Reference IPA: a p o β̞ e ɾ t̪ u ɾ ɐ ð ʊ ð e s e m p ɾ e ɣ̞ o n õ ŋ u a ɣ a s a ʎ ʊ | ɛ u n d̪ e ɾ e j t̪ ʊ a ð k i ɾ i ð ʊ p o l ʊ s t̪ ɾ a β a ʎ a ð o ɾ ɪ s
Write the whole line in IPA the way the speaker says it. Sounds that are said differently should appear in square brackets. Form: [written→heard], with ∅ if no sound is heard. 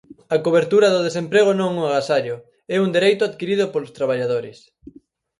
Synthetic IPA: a [p→k] o β̞ e ɾ t̪ u ɾ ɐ ð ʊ ð e s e m p ɾ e ɣ̞ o n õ ŋ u a ɣ a s a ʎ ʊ | ɛ u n d̪ e ɾ e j t̪ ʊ a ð k i ɾ i ð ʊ p o l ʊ s t̪ ɾ a β a ʎ a ð o ɾ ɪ s

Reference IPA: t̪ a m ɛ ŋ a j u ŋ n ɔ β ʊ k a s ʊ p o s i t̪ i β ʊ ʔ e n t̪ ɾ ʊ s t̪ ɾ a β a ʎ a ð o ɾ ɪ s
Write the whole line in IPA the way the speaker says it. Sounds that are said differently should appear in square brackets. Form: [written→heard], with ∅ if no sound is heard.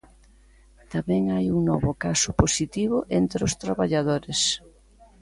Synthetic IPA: t̪ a m ɛ ŋ a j u ŋ n ɔ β ʊ k a s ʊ p o s i t̪ i β ʊ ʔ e n t̪ ɾ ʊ s t̪ ɾ a β a ʎ a ð o ɾ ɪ s

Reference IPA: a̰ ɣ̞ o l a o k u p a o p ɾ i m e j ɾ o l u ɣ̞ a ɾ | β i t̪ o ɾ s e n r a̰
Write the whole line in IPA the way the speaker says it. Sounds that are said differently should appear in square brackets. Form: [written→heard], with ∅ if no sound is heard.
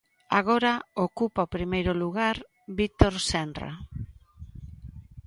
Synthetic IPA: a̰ ɣ̞ o [l→ɾ] a o k u p a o p ɾ i m e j ɾ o l u ɣ̞ a ɾ | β i t̪ o ɾ s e n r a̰

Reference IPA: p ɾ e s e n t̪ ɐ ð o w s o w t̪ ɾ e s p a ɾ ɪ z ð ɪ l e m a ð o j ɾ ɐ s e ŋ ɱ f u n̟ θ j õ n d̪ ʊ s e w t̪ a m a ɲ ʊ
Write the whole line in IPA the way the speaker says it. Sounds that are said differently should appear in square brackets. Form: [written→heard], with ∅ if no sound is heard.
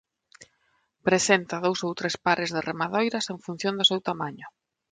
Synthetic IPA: p ɾ e s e n t̪ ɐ ð o w s o w t̪ ɾ e s p a ɾ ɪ z ð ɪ [l→r] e m a ð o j ɾ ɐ s e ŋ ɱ f u n̟ θ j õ n d̪ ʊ s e w t̪ a m a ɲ ʊ

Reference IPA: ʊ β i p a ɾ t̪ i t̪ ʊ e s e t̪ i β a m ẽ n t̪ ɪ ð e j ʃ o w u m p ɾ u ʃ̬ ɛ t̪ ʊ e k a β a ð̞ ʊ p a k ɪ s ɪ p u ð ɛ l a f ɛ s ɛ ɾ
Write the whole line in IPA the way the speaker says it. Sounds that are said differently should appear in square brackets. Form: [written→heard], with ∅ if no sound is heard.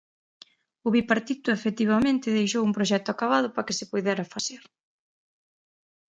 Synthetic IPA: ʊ β i p a ɾ t̪ i t̪ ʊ e [s→f] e t̪ i β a m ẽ n t̪ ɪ ð e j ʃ o w u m p ɾ [u→o] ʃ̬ ɛ t̪ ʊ [e→a] k a β a ð̞ ʊ p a k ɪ s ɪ p u ð ɛ [l→ɾ] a f [ɛ→a] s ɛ ɾ

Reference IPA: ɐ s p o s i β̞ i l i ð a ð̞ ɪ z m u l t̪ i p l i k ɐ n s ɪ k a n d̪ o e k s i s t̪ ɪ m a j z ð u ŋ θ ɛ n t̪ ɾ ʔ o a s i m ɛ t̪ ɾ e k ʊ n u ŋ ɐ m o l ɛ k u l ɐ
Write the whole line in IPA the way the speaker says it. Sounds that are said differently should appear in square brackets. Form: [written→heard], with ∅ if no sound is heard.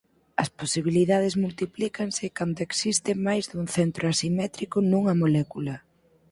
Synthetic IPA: ɐ s p o s i β̞ i l i ð a ð̞ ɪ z m u l t̪ i p l i k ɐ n s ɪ k a n d̪ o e k s i s t̪ ɪ m a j z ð u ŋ θ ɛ n t̪ ɾ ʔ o a s i m ɛ t̪ ɾ [e→i] k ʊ n u ŋ ɐ m o l ɛ k u l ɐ

